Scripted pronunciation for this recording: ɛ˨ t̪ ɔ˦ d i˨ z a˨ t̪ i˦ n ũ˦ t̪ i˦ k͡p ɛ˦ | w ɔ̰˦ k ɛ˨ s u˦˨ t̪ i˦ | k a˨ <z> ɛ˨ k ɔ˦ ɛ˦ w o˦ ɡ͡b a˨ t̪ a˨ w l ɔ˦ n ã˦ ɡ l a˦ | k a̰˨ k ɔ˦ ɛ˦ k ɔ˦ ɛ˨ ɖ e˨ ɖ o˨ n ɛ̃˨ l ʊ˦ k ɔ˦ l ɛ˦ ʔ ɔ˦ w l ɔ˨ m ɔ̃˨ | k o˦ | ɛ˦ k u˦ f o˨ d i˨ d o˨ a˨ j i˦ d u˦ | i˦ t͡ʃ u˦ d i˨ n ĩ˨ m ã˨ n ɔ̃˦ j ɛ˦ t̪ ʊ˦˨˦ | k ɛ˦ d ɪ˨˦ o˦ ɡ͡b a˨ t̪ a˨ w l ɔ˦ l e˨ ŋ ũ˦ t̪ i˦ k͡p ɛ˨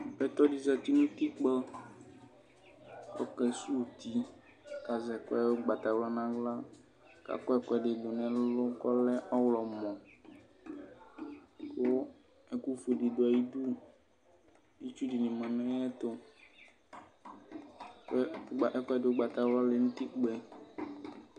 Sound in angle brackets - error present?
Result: no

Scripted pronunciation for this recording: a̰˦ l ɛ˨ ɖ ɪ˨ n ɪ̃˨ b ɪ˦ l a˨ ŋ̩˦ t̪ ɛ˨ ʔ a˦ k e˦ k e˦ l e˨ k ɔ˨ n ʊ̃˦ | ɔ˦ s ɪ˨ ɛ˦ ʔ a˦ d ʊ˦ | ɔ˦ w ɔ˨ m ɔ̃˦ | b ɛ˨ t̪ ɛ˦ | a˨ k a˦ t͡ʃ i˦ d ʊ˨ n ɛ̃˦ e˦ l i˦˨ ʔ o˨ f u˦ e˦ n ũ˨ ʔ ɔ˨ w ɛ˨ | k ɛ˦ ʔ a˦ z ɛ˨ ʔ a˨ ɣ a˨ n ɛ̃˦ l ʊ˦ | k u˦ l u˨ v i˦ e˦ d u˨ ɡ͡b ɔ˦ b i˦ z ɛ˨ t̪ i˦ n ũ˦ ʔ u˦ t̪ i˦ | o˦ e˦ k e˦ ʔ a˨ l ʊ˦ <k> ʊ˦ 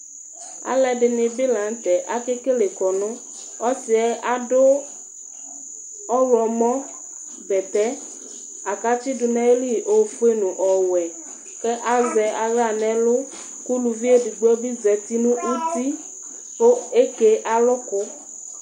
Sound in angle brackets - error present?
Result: no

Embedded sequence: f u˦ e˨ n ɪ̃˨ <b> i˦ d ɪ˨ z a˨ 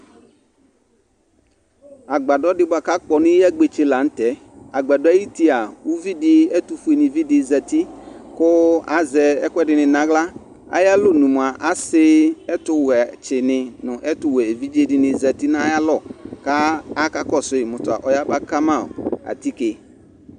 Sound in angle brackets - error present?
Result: yes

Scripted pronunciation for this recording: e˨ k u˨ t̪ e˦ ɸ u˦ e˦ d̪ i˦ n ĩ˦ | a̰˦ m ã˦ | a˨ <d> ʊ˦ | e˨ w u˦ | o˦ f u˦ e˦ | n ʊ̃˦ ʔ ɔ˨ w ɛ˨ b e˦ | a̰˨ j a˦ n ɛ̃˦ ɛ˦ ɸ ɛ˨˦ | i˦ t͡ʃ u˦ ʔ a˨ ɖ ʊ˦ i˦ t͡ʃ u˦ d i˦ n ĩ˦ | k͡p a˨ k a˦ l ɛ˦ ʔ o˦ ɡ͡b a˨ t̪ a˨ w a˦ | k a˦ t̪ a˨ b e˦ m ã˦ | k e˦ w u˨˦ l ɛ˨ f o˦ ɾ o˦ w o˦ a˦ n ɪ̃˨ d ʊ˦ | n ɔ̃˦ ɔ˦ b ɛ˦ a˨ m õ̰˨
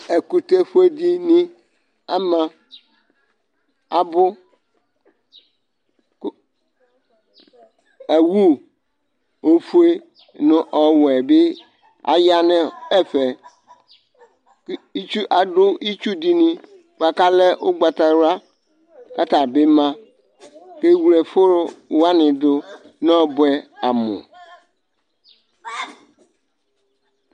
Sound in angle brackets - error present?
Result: yes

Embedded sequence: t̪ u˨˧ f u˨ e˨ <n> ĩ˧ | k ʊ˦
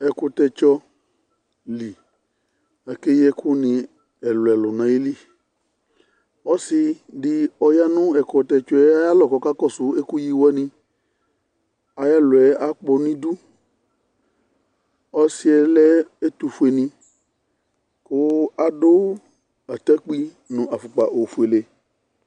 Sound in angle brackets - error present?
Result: no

